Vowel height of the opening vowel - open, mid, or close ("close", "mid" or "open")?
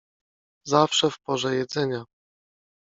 open